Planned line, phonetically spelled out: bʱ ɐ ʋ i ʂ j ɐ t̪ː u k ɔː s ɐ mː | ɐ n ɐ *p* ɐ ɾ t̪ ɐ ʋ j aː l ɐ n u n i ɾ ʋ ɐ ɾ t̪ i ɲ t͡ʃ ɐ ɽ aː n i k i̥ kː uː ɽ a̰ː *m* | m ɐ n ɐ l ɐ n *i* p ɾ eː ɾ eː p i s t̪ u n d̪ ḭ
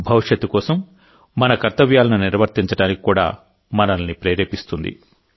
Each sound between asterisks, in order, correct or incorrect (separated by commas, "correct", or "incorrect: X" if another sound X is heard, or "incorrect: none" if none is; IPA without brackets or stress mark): incorrect: k, incorrect: none, correct